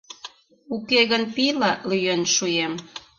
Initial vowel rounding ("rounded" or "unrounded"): rounded